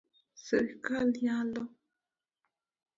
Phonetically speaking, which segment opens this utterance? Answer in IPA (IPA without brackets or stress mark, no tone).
s